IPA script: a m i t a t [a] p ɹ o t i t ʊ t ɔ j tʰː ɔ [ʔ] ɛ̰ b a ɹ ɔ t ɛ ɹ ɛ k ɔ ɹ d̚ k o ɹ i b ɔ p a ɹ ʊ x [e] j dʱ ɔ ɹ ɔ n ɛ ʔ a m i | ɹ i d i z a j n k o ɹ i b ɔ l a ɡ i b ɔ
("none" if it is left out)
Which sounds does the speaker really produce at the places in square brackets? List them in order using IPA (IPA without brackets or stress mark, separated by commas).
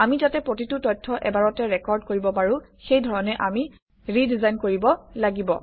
ɛ, ʔ, e